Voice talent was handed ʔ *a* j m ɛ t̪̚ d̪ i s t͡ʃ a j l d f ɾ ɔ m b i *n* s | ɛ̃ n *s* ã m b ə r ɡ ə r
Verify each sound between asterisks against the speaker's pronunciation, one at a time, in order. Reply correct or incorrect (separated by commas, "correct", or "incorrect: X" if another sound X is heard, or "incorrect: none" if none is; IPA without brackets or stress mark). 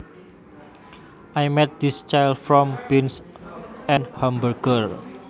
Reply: correct, correct, incorrect: h